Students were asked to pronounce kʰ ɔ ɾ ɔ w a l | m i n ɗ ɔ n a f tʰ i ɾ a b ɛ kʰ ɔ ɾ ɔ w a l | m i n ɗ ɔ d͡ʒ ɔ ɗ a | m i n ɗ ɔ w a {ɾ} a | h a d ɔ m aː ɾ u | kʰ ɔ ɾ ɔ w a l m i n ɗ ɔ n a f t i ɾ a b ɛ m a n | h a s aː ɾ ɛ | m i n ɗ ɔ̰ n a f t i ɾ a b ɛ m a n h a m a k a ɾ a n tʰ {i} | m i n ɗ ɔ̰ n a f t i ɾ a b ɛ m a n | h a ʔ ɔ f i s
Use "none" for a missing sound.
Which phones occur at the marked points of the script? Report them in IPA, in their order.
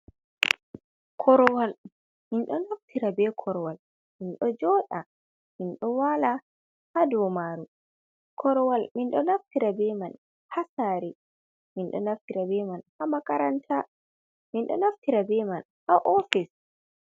l, a

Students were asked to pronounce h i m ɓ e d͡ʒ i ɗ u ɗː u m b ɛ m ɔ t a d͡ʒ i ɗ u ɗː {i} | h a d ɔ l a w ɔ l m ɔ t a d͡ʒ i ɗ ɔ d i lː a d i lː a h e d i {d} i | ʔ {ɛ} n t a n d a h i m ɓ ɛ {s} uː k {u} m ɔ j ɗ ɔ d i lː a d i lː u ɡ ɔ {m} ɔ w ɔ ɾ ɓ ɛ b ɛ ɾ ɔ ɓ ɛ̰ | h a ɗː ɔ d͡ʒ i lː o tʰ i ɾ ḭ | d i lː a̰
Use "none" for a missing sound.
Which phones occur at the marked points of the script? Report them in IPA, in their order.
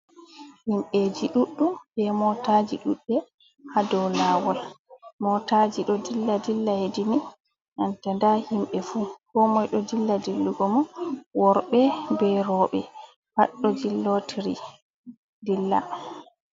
ɛ, n, a, f, ɔ, m

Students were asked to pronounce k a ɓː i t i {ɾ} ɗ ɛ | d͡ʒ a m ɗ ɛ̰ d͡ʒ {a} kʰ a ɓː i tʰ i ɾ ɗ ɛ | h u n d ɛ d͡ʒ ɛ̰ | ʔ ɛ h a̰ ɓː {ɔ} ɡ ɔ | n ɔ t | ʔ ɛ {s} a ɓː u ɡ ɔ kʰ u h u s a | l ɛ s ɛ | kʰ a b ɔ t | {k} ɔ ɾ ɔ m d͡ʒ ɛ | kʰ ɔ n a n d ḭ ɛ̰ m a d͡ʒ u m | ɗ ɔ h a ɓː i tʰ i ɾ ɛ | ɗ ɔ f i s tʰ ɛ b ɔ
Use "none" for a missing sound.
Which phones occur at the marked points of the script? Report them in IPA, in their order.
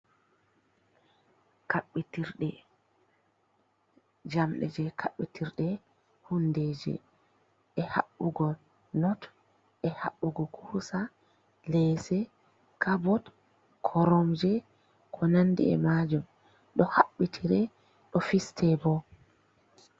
ɾ, ɛ, u, h, kʰ

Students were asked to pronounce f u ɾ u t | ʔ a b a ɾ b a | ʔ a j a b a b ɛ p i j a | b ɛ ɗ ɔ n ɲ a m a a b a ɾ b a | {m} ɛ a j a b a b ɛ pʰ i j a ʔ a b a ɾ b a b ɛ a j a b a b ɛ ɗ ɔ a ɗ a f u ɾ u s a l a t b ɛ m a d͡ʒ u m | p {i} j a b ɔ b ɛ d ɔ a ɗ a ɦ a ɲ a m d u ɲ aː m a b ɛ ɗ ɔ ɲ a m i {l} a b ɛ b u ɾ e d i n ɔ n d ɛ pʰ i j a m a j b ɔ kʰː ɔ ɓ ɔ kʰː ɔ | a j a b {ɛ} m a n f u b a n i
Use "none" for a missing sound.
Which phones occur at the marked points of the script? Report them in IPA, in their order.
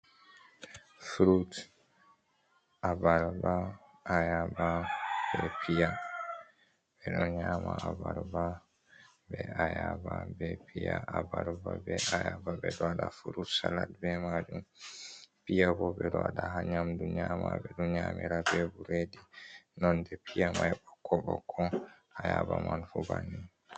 b, i, ɾ, a

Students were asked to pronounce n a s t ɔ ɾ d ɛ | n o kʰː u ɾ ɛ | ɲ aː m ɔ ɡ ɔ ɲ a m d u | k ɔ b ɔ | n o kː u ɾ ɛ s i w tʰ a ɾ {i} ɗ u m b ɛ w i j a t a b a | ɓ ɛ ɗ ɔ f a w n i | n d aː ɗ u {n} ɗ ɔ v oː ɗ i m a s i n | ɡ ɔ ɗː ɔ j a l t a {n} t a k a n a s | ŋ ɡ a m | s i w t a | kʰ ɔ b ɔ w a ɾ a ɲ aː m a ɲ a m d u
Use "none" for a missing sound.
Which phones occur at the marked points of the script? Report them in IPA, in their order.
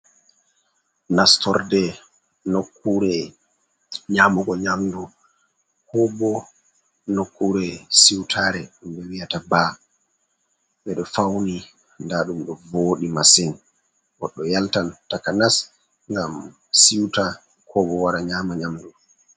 ɛ, m, n

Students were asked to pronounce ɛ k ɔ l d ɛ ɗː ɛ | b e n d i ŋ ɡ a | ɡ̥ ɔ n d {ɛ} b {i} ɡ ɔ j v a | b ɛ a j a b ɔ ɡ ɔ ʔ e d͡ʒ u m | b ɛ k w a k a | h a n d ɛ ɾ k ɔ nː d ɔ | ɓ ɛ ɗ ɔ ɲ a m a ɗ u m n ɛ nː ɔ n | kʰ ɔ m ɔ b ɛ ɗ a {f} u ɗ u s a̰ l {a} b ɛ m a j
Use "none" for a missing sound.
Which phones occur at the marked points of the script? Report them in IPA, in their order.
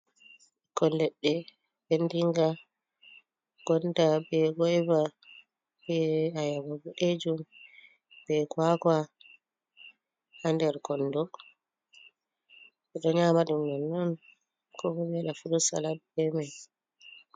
a, ɛ, f, a

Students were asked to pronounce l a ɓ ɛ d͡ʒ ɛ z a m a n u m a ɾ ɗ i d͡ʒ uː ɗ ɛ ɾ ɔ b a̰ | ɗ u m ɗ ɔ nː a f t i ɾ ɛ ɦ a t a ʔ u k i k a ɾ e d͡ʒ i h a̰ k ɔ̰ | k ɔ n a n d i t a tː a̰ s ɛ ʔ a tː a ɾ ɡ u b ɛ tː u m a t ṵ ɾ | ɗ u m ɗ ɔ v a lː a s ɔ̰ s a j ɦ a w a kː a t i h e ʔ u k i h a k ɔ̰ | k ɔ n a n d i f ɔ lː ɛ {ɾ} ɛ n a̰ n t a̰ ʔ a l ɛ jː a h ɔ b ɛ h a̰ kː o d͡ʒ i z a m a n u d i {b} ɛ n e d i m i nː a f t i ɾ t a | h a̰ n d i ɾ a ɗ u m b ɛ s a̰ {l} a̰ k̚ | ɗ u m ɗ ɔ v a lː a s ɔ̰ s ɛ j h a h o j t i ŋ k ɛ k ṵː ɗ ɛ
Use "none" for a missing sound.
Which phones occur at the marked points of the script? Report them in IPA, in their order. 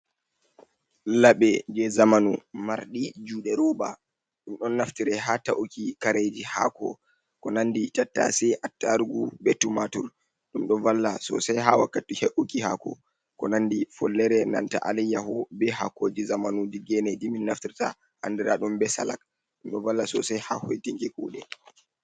ɾ, ɡ, l

